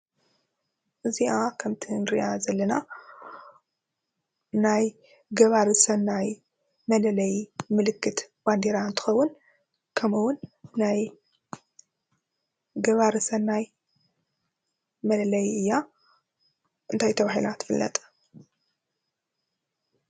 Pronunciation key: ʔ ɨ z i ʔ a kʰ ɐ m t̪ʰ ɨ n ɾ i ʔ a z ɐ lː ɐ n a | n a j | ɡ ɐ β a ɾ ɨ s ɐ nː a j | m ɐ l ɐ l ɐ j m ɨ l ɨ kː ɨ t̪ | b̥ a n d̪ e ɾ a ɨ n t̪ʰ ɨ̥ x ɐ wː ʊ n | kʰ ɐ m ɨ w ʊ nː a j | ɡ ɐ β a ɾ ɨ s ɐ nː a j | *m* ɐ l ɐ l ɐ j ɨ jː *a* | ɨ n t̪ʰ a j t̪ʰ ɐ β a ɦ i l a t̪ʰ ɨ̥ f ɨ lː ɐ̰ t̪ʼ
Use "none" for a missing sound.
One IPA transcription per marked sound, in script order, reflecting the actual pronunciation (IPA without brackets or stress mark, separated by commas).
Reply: m, a